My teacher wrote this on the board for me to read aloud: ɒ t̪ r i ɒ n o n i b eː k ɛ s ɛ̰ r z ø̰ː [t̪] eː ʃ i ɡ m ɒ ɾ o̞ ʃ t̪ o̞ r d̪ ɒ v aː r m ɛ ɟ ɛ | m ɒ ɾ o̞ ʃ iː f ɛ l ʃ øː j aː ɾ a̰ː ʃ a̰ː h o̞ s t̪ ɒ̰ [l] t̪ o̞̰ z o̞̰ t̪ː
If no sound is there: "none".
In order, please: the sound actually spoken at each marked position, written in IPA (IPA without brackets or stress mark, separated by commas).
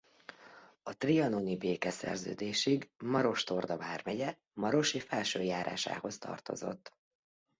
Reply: d̪, r